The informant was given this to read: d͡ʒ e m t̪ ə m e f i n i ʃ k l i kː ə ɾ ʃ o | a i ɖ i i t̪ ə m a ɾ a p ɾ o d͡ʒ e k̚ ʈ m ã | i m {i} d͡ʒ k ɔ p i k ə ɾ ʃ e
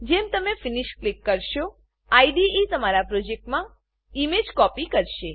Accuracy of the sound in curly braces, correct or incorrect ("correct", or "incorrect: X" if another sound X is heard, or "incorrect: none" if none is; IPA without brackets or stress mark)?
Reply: incorrect: e